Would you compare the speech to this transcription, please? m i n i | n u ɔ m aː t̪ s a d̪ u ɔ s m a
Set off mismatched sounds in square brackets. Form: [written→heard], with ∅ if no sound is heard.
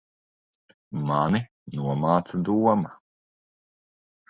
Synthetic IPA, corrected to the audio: m [i→a] n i | n u ɔ m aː t̪ s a d̪ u ɔ [s→∅] m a

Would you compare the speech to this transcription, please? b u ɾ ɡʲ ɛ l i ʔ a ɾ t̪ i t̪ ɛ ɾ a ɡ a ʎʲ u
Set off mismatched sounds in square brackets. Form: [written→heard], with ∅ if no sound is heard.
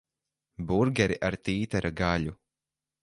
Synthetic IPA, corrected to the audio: b u ɾ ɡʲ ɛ [l→ɾ] i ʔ a ɾ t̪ [i→iː] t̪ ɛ ɾ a ɡ a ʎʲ u

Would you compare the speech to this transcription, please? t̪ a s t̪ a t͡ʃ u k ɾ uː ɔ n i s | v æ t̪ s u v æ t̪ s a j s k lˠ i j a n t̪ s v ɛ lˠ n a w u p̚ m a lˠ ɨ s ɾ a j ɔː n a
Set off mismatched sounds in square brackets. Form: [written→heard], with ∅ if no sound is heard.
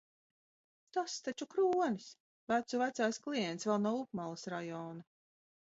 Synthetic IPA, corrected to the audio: t̪ a s t̪ a t͡ʃ u k ɾ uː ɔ n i s | v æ t̪ s u v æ t̪ s a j s k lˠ i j [a→ɛ] n t̪ s v ɛ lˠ n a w u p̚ m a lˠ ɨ s ɾ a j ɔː n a

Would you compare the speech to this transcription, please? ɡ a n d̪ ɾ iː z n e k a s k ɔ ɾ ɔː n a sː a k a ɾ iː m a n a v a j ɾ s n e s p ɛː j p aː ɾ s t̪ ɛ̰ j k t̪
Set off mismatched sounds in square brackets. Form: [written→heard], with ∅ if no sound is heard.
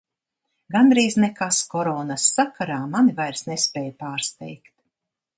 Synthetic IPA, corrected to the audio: ɡ a n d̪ ɾ iː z n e k a s k ɔ ɾ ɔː n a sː a k a ɾ [iː→aː] m a n [a→i] v a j ɾ s n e s p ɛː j p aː ɾ s t̪ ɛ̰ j k t̪

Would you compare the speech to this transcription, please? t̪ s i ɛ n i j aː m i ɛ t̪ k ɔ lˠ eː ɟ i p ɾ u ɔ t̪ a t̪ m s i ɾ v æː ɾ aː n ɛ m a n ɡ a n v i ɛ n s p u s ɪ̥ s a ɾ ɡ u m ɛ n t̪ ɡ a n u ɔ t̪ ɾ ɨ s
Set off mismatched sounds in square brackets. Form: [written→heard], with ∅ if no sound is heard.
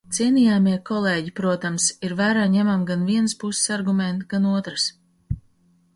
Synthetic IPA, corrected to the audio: t̪ s i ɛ n i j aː m i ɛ [t̪→∅] k ɔ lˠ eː ɟ i p ɾ u ɔ t̪ a [t̪→∅] m s i ɾ v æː ɾ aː [n→ɲ] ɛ m a [n→m] ɡ a n v i ɛ n s p u s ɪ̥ s a ɾ ɡ u m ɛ n t̪ ɡ a n u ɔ t̪ ɾ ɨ s

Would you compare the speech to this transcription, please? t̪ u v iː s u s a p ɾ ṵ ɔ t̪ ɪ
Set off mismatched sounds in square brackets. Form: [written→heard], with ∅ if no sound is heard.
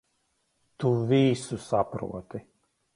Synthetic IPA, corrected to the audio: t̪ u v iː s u s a p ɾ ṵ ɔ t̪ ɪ

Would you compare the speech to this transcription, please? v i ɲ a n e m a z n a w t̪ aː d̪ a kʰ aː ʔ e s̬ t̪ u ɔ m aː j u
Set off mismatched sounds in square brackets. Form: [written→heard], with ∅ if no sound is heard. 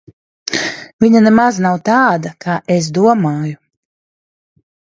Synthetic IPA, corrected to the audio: v i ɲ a n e m a z n a w t̪ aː d̪ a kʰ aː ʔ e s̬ [t̪→d̪] u ɔ m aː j u

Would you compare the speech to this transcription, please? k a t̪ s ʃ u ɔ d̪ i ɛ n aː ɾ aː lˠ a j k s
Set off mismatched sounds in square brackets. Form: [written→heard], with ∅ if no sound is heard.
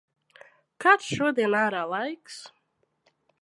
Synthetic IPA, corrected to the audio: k a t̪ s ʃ u ɔ d̪ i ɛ n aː ɾ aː lˠ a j k s

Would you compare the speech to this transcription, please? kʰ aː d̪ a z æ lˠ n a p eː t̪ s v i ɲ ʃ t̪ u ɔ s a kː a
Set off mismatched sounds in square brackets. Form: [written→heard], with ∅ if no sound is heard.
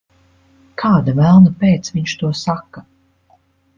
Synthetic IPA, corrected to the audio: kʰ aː d̪ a [z→v] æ lˠ n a p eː t̪ s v i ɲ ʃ t̪ u ɔ s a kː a

